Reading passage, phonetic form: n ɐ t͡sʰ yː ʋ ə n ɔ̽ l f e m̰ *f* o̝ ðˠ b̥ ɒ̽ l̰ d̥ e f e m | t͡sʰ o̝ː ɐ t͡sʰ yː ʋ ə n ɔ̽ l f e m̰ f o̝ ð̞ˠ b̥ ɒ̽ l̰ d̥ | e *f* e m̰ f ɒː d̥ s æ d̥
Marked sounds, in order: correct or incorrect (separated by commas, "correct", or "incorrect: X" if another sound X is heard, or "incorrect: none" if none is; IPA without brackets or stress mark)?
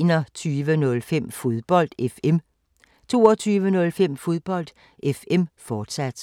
correct, correct